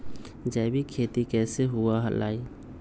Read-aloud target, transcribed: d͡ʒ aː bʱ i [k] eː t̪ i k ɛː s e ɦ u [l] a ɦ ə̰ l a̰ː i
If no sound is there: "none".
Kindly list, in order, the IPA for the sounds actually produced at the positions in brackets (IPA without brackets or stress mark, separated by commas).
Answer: kʰ, none